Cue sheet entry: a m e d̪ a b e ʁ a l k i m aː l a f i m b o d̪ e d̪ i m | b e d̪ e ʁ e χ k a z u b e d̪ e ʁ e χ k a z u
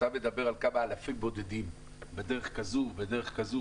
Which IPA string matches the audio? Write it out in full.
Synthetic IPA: a m e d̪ a b e ʁ a l k a m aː l a f i m b o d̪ e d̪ i m | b e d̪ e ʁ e χ k a z u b e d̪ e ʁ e χ k a z u